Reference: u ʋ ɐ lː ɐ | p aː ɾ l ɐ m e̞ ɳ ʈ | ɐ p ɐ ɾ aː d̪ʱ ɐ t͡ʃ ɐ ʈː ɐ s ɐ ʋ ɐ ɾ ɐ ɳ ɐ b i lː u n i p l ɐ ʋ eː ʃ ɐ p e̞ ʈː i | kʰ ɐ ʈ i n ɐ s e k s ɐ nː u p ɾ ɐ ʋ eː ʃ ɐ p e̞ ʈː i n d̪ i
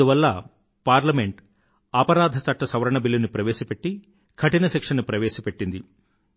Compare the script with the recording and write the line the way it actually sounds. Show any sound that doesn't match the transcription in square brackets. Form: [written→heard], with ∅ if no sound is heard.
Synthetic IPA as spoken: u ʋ ɐ lː ɐ | p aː ɾ l ɐ m e̞ ɳ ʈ | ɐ p ɐ ɾ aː d̪ʱ ɐ t͡ʃ ɐ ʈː ɐ s ɐ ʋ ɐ ɾ ɐ ɳ ɐ b i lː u n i p [l→ɾ] ɐ ʋ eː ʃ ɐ p e̞ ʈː i | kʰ ɐ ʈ i n ɐ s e k [s→ʂ] ɐ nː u p ɾ ɐ ʋ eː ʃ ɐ p e̞ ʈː i n d̪ i